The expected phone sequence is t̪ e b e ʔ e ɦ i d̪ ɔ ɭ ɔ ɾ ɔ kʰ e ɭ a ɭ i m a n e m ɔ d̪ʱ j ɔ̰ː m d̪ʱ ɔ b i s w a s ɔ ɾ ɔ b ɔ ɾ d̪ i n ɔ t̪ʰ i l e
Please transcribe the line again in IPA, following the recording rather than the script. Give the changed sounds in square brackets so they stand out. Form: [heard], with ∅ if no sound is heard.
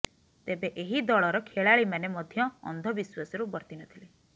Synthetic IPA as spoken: t̪ e b e ʔ e ɦ i d̪ ɔ ɭ ɔ ɾ ɔ kʰ e ɭ a ɭ i m a n e m ɔ d̪ʱ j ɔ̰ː [n] d̪ʱ ɔ b i s w a s ɔ ɾ [u] b ɔ ɾ [t̪] i n ɔ t̪ʰ i l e